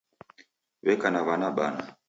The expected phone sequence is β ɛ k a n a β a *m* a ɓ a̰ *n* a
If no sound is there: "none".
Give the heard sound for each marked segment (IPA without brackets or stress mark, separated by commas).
n, n